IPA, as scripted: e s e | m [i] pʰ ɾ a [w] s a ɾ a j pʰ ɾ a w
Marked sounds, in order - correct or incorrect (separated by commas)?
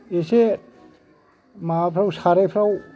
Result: incorrect, correct